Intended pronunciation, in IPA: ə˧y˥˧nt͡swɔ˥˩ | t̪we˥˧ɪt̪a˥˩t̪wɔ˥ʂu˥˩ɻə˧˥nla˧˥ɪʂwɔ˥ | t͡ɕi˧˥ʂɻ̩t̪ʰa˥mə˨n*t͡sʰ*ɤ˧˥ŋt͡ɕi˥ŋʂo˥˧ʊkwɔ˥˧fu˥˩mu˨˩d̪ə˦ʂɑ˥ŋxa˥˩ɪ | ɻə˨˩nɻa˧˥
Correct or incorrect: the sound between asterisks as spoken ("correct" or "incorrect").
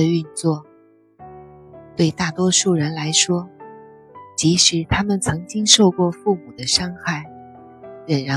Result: correct